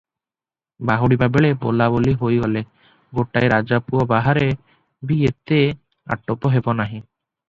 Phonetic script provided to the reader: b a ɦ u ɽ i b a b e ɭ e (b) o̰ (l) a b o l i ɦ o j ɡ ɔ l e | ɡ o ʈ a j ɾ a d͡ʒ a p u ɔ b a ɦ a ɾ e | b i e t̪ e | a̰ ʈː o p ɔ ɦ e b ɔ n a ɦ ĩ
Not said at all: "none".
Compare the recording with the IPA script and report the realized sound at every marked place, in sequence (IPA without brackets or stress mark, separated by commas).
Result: b, l